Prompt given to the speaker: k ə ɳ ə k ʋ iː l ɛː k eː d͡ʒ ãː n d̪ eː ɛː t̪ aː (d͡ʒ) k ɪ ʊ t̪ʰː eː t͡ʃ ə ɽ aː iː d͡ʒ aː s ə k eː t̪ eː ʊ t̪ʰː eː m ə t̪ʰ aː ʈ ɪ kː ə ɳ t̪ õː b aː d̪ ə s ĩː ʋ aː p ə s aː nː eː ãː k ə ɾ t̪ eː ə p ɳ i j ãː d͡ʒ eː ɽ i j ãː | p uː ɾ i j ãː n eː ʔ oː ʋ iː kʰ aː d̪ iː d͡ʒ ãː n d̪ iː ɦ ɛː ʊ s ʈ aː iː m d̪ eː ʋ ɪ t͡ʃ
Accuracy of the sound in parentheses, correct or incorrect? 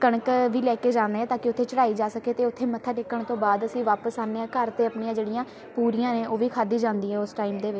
incorrect